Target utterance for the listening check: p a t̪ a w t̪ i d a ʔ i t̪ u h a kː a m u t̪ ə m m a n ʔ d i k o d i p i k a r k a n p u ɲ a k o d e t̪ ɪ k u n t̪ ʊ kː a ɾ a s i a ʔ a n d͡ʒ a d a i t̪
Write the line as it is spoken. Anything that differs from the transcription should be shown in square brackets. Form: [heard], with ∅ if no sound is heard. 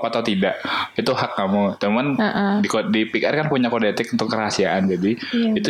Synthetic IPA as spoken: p a t̪ a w t̪ i d a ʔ i t̪ u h a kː a m u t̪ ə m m a n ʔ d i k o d i p i k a r k a n p u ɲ a k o d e t̪ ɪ k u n t̪ ʊ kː [ə] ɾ a s i a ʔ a n d͡ʒ a d [i] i t̪